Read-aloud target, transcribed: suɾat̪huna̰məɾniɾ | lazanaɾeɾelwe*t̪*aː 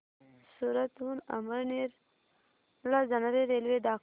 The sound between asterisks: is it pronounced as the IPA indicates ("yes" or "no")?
no